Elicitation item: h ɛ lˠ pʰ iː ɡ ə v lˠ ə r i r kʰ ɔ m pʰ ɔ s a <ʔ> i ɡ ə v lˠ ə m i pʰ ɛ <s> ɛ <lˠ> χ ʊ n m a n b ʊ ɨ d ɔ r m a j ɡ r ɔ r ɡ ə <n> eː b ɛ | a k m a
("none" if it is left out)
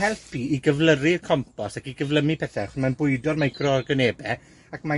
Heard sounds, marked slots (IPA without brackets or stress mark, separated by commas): k, θ, none, n